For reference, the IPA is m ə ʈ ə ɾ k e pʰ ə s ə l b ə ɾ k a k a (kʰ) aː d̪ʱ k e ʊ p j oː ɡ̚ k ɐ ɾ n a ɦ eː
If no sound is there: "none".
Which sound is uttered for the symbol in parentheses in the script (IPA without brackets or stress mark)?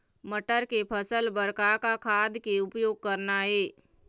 kʰ